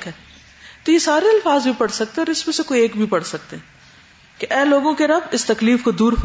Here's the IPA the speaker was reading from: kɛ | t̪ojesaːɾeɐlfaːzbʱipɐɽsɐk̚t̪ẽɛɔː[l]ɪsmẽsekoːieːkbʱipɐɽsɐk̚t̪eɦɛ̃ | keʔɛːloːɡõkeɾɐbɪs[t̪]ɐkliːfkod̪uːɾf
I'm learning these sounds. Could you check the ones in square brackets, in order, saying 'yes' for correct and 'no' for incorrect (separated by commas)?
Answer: no, yes